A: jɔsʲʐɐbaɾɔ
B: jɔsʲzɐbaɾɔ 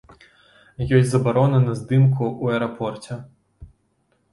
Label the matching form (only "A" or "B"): B